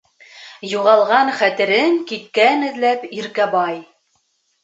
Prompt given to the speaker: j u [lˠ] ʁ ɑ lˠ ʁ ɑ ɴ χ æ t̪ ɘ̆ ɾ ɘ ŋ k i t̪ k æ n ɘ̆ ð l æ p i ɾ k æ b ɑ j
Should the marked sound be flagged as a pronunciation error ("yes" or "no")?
yes